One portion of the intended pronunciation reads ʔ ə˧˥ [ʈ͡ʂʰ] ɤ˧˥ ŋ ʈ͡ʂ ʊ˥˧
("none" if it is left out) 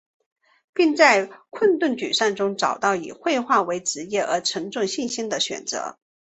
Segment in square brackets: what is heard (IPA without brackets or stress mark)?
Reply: ʈ͡ʂʰ